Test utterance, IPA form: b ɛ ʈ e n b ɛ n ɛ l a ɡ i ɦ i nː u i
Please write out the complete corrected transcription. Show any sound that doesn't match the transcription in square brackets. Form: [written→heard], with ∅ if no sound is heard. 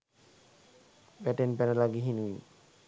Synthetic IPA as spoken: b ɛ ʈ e n [b→p] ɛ n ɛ l a ɡ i ɦ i [nː→n] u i